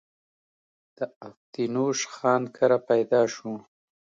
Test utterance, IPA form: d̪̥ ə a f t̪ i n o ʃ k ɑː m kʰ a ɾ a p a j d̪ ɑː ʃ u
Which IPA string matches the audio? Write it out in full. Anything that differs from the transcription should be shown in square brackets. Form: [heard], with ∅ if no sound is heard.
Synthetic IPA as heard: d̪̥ ə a f t̪ i n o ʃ [x] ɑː [n] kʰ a ɾ a p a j d̪ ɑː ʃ u